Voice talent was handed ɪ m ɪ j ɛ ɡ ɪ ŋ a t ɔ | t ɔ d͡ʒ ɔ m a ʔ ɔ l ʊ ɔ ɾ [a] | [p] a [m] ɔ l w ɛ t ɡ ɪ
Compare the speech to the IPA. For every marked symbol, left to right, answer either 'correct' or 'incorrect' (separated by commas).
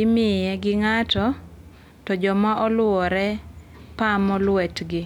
incorrect, correct, correct